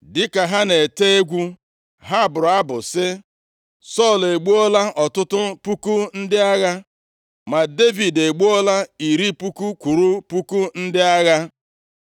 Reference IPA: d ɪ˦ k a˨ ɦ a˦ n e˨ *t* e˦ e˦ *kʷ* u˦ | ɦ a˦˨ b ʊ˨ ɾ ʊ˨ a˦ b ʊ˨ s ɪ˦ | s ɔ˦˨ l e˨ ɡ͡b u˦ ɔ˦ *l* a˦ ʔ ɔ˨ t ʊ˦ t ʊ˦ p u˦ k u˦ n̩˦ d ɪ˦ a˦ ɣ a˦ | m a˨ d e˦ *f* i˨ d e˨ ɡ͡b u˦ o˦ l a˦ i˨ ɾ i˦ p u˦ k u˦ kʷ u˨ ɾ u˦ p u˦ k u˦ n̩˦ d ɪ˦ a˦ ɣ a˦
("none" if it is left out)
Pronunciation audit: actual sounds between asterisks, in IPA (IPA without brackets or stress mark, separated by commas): t, ɡʷ, l, v